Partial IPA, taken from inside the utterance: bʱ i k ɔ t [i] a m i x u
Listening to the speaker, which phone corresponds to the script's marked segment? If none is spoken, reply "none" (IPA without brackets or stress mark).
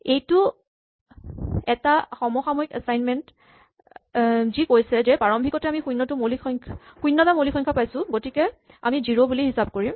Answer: ɛ